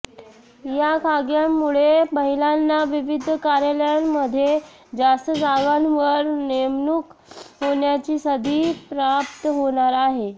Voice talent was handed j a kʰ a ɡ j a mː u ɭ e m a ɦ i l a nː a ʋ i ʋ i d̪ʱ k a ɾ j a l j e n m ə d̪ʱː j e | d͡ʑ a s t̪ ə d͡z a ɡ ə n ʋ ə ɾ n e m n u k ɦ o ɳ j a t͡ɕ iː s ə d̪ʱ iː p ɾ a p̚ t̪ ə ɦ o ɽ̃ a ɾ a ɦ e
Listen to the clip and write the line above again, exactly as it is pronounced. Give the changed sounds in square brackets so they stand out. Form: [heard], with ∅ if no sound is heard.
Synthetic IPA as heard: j a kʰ a ɡ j a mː u ɭ e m [ə] ɦ i l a nː a ʋ i ʋ i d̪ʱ k a ɾ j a l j [a] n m ə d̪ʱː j e | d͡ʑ a s t̪ ə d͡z a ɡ [a] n ʋ ə ɾ n e m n u k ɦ o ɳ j a t͡ɕ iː s ə d̪ʱ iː p ɾ a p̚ t̪ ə ɦ o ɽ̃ a ɾ a ɦ e

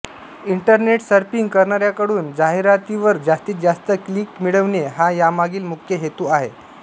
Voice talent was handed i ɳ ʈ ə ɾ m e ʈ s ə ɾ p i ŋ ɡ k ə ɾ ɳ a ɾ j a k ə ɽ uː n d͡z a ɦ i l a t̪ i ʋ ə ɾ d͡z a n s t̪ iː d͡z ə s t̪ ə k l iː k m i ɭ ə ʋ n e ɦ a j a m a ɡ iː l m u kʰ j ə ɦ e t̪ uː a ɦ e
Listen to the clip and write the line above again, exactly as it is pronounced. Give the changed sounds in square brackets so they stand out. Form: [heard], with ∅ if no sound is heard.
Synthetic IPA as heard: i ɳ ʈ ə ɾ [n] e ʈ s ə ɾ p i ŋ ɡ k ə ɾ ɳ a ɾ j a k ə ɽ uː n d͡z a ɦ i [ɾ] a t̪ i ʋ ə ɾ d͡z a [∅] s t̪ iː d͡z [a] s t̪ ə k l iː k m i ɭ ə ʋ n e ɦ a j a m a ɡ iː l m u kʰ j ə ɦ e t̪ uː a ɦ e

